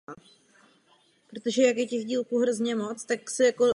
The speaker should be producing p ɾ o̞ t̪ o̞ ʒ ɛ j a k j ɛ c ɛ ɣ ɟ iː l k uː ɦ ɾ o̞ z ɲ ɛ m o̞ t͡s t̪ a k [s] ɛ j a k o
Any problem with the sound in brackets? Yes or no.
no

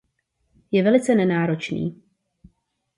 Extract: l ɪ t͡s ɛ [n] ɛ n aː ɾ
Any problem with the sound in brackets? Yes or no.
no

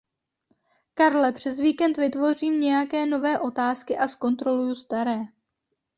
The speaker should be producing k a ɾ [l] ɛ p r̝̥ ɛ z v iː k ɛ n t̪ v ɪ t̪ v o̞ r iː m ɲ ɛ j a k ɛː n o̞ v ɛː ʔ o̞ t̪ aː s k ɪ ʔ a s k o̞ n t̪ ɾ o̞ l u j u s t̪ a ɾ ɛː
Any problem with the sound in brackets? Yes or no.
no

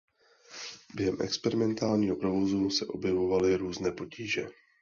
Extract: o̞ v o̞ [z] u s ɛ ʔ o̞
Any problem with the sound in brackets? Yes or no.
no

